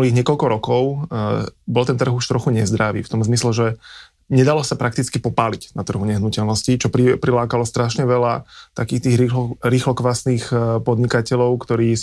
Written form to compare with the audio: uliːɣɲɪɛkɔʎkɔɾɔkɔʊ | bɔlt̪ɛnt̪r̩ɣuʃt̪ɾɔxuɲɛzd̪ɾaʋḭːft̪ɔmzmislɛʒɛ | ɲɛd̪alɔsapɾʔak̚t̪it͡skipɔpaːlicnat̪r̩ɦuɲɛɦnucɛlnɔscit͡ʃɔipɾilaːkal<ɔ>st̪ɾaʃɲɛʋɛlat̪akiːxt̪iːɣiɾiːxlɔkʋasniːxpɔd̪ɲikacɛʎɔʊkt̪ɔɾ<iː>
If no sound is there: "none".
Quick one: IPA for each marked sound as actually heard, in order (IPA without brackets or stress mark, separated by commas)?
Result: ɔ, iː